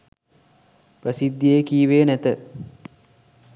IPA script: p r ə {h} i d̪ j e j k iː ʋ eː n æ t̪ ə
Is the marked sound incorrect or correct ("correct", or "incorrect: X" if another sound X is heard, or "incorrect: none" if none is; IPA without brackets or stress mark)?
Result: incorrect: s